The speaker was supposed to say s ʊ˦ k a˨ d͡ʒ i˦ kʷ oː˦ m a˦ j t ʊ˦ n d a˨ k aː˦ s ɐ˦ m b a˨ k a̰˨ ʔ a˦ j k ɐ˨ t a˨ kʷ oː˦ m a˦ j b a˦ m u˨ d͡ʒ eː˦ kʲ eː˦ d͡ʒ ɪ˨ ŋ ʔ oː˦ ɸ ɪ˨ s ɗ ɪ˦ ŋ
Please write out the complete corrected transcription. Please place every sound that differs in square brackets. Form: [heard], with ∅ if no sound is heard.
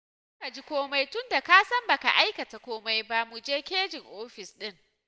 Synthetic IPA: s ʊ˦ k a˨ d͡ʒ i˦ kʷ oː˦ m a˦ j t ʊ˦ n d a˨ k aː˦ s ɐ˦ m b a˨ k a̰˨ ʔ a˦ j k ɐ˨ t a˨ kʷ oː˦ m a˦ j b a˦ m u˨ d͡ʒ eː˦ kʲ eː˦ d͡ʒ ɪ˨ ŋ ʔ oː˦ ɸ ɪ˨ s ɗ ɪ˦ ŋ